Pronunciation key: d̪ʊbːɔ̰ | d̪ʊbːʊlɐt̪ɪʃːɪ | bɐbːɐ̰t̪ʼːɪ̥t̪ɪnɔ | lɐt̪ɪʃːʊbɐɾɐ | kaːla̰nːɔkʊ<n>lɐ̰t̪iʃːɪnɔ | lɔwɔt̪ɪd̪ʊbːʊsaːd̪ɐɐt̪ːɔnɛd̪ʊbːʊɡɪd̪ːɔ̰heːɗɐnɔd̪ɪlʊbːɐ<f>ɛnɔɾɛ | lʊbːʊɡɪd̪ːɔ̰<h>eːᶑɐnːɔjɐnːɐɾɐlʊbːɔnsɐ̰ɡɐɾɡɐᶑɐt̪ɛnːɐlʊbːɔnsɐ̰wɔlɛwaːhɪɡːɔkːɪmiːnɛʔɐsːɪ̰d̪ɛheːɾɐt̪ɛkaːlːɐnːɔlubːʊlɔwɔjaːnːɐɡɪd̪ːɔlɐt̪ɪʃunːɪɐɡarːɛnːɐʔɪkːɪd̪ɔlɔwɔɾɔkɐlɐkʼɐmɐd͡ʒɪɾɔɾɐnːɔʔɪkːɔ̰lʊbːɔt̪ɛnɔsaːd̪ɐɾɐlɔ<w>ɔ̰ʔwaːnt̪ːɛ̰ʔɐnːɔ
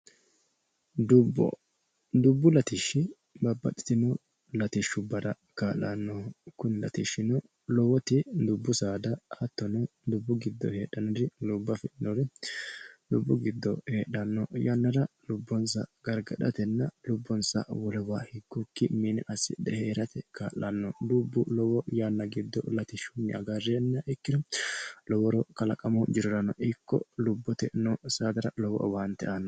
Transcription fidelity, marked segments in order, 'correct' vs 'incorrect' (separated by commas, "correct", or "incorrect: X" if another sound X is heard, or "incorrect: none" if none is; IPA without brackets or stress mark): correct, correct, correct, correct